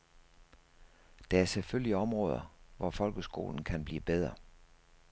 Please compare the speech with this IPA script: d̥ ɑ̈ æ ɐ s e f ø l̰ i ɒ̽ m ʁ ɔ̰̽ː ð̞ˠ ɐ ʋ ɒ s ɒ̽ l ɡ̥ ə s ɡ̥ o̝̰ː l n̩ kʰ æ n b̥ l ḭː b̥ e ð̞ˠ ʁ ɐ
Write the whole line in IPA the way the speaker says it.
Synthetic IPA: d̥ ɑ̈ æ ɐ s e f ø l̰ i ɒ̽ m ʁ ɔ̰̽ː ð̞ˠ ɐ ʋ ɒ f ɒ̽ l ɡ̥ ə s ɡ̥ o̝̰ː l n̩ kʰ æ n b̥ l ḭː b̥ e ð̞ˠ ʁ ɐ